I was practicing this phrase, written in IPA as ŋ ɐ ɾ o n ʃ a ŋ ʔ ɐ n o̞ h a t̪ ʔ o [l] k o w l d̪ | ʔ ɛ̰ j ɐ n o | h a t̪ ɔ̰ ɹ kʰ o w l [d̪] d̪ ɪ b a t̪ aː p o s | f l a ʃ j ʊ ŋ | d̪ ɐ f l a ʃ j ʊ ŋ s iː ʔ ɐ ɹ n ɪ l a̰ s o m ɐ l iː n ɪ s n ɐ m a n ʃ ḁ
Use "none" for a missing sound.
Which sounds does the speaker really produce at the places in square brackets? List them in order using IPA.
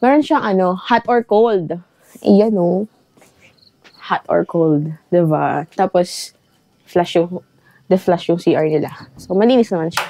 ɹ, d̪

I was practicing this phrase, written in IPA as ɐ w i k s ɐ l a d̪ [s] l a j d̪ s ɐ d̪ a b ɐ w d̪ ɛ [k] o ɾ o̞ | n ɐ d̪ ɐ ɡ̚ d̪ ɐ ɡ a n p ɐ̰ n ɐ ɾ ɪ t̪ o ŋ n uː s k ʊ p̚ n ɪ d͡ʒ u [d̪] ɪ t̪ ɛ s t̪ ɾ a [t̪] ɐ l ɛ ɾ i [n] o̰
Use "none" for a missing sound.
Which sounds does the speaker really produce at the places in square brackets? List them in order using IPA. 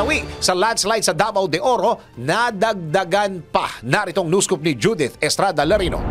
s, ʔ, d̪, d̪, n

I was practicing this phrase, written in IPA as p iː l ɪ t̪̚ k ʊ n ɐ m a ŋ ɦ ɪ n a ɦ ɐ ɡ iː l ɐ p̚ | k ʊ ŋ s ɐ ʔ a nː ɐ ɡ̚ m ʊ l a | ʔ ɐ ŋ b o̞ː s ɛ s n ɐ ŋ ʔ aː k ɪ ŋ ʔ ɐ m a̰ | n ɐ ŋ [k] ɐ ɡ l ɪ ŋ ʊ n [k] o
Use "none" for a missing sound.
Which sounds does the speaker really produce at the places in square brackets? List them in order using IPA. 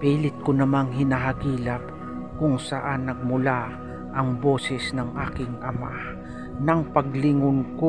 p, k

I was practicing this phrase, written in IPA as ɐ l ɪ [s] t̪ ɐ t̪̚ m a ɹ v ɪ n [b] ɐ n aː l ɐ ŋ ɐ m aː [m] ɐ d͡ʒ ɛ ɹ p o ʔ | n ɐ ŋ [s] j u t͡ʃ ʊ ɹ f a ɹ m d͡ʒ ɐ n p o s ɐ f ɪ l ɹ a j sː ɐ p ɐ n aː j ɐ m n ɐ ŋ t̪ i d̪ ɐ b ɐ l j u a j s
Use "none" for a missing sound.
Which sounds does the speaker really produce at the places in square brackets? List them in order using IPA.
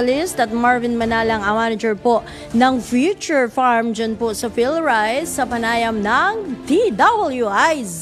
s, m, n, f

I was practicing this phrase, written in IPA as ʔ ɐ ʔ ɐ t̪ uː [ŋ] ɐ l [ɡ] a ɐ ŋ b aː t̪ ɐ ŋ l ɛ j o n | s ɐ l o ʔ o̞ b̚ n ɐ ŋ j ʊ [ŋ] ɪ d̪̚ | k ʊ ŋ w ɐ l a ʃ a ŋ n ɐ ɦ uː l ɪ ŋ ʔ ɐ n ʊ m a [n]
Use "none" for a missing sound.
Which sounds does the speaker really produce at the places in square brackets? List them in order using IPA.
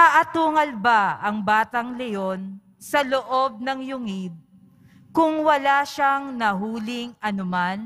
ŋ, b, ŋ, n

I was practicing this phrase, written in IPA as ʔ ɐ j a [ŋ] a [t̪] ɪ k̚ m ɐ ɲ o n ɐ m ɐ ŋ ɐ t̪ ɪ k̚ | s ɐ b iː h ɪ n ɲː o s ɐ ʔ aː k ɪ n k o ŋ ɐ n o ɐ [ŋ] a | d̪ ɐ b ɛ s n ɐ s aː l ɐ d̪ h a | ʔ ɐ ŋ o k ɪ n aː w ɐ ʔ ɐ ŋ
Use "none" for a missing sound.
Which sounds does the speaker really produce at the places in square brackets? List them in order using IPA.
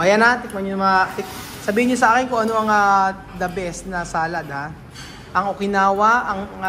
n, t̪, ŋ

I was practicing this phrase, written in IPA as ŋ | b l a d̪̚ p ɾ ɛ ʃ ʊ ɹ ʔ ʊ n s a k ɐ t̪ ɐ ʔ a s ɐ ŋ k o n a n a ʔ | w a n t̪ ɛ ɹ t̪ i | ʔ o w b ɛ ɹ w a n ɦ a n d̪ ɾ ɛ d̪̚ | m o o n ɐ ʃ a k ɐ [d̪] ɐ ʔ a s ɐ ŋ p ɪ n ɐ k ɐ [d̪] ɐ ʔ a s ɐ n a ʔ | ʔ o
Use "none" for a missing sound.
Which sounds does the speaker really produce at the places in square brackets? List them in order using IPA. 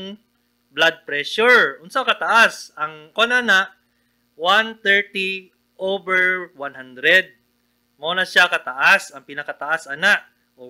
t̪, t̪

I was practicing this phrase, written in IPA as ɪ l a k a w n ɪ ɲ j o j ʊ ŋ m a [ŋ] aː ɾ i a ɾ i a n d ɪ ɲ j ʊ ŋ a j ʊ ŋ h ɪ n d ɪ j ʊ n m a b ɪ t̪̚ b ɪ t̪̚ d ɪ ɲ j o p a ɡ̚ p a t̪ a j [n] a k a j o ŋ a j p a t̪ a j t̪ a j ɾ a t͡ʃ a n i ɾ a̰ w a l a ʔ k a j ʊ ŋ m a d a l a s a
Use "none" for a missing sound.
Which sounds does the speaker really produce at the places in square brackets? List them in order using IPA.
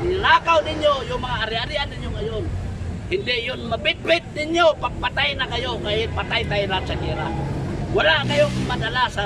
ŋ, n

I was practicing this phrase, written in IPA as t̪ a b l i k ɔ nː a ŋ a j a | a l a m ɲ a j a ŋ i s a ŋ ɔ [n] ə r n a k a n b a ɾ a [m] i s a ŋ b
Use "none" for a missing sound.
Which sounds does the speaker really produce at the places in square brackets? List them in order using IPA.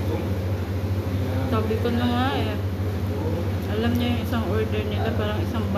d, ŋ

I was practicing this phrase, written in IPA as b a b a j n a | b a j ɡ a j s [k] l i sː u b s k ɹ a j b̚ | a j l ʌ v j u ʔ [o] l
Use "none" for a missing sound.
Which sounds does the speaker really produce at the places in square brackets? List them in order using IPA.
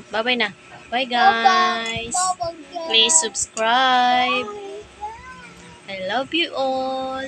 p, ɔ

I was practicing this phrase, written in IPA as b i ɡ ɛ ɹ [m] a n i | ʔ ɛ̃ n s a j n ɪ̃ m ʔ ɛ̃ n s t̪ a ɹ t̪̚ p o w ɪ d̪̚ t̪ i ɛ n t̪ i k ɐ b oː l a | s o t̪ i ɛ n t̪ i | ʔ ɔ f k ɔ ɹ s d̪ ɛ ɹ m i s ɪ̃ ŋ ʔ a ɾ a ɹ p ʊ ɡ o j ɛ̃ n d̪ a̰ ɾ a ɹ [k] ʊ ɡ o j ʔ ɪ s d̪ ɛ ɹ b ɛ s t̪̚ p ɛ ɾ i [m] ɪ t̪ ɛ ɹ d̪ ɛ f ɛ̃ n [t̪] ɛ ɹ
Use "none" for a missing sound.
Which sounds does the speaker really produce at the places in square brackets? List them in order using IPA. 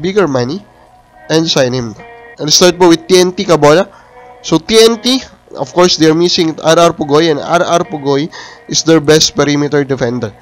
m, p, m, d̪

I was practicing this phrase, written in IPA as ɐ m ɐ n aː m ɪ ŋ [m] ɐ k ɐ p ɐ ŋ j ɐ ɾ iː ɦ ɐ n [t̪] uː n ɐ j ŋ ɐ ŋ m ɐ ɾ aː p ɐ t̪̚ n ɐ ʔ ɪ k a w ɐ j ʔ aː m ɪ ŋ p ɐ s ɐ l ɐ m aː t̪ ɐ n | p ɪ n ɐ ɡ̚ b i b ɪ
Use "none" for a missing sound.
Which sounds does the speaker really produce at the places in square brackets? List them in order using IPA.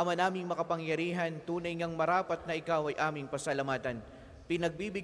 m, t̪

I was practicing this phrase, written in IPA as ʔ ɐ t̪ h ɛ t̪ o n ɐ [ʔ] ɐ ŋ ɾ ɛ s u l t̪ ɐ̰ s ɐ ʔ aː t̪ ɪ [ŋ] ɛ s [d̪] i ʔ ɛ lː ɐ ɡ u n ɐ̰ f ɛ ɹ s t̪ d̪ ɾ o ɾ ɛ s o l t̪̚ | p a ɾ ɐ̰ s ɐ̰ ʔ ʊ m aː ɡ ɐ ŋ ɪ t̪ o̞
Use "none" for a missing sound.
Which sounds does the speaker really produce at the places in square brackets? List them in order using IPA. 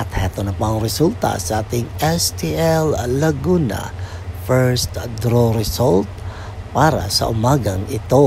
p, ŋ, t̪

